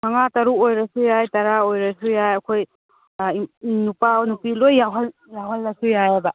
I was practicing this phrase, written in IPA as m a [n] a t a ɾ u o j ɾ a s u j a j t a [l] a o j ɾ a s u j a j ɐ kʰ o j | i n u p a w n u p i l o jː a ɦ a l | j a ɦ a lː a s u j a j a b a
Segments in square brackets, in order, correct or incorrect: incorrect: ŋ, incorrect: ɾ

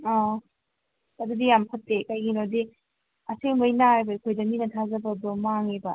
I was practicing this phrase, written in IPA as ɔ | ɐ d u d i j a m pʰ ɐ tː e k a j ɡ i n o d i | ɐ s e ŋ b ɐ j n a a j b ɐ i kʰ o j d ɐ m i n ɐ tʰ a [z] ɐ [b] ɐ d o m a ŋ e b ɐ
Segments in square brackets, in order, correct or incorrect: correct, correct

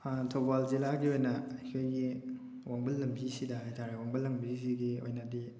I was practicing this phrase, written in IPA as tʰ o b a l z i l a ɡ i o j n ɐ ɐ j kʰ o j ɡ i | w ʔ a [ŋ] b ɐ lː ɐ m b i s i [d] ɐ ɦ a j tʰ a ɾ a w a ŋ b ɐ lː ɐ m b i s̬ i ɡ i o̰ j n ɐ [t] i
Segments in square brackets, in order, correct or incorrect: correct, correct, incorrect: d

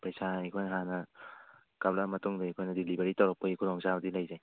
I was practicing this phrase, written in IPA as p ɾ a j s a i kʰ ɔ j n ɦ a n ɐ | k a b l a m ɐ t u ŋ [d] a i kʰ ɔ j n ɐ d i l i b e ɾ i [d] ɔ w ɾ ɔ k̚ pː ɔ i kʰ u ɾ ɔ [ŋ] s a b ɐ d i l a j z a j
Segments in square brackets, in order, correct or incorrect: correct, incorrect: t, correct

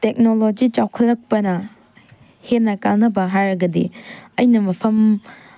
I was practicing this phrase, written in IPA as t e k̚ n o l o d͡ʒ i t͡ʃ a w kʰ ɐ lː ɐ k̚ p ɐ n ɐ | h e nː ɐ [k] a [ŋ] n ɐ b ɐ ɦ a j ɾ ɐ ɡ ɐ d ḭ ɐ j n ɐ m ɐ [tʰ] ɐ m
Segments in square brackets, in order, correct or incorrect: correct, correct, incorrect: pʰ

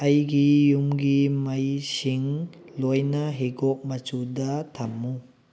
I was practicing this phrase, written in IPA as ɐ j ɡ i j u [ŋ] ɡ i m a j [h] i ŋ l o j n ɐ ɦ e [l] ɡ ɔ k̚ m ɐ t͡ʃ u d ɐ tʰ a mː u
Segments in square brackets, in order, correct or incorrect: incorrect: m, incorrect: s, incorrect: none

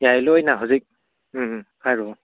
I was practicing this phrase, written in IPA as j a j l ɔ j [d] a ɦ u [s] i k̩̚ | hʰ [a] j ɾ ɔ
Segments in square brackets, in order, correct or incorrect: incorrect: n, incorrect: z, correct

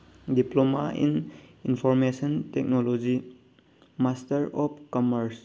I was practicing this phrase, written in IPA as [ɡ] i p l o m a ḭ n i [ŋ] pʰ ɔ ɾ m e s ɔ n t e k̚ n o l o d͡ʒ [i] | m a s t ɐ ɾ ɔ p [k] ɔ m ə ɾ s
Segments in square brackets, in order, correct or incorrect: incorrect: d, incorrect: n, correct, correct

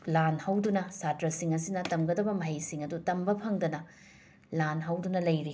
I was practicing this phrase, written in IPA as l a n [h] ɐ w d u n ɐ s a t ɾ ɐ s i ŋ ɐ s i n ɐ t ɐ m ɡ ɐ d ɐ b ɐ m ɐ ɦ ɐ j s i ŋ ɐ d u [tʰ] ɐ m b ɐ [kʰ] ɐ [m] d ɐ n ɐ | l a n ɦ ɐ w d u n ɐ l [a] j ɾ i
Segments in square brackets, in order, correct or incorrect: correct, incorrect: t, incorrect: pʰ, incorrect: ŋ, incorrect: ɐ

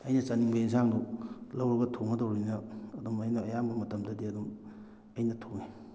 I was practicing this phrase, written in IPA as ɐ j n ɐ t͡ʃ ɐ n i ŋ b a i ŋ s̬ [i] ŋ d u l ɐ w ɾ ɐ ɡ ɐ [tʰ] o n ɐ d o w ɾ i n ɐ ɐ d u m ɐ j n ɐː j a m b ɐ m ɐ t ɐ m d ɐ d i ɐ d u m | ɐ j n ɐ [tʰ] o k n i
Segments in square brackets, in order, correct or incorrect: incorrect: a, correct, correct

